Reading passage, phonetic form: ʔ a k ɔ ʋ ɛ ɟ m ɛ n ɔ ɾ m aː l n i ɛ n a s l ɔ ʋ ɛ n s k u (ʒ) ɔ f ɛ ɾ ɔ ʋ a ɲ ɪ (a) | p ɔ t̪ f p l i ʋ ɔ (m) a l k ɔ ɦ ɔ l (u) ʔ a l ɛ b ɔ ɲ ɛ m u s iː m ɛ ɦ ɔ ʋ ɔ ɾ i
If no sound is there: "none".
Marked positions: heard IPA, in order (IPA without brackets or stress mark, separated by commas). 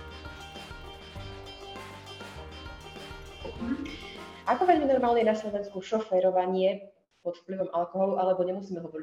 ʃ, ɛ, m, u